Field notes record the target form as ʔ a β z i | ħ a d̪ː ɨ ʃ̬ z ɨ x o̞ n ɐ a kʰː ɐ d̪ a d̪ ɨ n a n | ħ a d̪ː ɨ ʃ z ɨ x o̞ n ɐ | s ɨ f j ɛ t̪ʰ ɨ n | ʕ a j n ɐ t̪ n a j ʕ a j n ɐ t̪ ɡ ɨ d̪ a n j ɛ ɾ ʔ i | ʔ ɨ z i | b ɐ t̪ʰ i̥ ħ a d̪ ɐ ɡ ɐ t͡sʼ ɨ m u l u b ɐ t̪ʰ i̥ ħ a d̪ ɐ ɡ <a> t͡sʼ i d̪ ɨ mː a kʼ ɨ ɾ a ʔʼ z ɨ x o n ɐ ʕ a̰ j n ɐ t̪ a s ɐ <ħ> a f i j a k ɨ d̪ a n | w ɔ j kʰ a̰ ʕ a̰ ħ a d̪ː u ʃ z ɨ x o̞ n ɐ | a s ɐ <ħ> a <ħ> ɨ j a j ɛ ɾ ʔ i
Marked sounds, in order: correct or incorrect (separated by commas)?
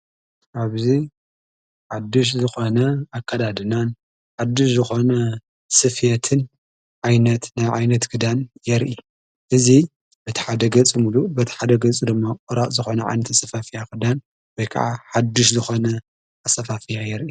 incorrect, incorrect, incorrect, incorrect